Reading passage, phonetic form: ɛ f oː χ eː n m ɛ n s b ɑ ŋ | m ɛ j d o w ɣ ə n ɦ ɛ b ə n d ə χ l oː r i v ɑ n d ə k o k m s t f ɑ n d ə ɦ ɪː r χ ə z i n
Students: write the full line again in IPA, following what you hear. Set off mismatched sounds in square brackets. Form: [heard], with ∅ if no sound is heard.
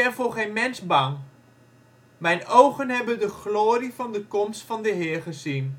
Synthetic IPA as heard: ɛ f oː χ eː n m ɛ n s b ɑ ŋ | m ɛ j [n] o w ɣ ə n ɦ ɛ b ə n d ə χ l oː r i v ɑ n d ə k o [∅] m s t f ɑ n d ə ɦ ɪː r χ ə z i n

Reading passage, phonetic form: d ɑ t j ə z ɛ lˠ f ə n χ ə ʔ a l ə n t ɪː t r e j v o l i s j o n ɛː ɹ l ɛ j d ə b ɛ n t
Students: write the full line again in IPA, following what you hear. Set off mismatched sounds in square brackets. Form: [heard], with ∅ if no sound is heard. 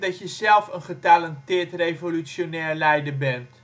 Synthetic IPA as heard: d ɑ t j ə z ɛ lˠ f ə n χ ə [t] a l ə n t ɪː t r e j v o l [y] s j o n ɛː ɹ l ɛ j d ə b ɛ n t

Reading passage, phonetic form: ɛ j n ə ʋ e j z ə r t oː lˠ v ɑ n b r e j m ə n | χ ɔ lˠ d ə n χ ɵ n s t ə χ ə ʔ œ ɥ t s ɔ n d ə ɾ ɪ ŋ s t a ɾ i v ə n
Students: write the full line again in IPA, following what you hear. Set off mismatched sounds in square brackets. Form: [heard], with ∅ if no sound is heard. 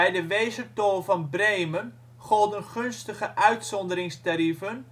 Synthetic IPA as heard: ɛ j [d] ə ʋ e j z ə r t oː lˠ v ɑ n b r e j m ə n | χ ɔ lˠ d ə n χ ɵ n s t ə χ ə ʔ œ ɥ t s ɔ n d ə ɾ ɪ ŋ s t a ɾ i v ə n

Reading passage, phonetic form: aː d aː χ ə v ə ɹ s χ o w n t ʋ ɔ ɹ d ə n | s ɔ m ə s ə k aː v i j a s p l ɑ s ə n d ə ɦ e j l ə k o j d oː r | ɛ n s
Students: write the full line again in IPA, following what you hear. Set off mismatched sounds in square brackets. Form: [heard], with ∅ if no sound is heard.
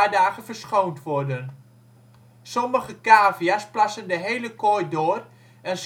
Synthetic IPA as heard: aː d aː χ ə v ə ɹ s χ o w n t ʋ ɔ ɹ d ə n | s ɔ m ə [χ] ə k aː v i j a s p l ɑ s ə n d ə ɦ e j l ə k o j d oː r | ɛ n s

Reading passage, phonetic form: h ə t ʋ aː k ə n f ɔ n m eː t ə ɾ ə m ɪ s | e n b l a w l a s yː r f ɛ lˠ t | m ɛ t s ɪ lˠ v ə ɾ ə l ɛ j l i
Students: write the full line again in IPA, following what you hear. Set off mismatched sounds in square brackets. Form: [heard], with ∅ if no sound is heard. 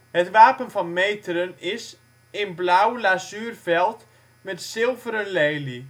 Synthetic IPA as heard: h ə t ʋ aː [p] ə n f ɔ n m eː t ə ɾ ə [n] ɪ s | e n b l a w l a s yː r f ɛ lˠ t | m ɛ t s ɪ lˠ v ə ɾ ə l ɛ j l i

